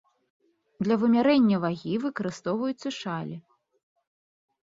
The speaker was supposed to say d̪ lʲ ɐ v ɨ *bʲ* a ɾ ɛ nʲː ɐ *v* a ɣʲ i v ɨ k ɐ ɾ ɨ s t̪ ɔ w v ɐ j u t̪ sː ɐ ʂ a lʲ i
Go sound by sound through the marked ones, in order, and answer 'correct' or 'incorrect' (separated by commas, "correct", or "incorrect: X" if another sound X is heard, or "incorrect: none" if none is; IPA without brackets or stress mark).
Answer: incorrect: mʲ, correct